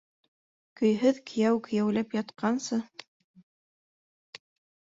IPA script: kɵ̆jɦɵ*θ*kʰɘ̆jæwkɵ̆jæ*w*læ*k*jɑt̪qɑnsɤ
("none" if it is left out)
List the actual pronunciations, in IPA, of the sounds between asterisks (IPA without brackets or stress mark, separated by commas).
ð, w, p